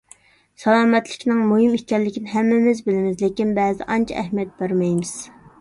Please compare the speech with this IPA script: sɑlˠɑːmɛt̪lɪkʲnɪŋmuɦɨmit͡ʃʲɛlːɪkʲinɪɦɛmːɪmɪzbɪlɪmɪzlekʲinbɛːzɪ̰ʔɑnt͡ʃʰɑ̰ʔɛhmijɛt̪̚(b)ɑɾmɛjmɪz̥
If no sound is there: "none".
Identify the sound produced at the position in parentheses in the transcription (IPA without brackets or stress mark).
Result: b